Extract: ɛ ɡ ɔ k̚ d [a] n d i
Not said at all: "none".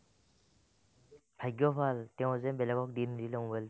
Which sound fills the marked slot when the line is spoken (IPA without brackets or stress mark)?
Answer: i